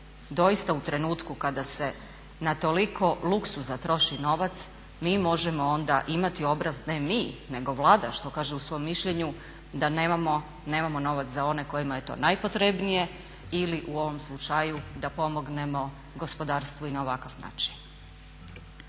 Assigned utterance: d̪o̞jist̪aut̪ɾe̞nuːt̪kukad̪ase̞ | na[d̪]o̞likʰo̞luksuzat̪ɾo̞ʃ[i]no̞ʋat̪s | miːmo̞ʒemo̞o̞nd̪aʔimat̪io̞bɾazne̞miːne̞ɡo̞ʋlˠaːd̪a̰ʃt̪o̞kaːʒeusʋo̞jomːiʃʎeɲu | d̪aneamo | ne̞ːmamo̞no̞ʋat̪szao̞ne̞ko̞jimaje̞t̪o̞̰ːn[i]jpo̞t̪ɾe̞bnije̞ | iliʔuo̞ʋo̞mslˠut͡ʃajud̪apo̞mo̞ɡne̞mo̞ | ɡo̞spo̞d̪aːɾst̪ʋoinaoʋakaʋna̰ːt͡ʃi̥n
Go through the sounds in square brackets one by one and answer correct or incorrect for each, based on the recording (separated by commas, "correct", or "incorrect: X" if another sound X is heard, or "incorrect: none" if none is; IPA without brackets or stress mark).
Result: incorrect: t̪, correct, incorrect: a